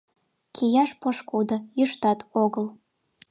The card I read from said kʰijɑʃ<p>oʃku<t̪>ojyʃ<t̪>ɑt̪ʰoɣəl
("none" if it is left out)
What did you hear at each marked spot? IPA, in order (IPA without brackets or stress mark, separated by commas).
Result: p, d̪, t̪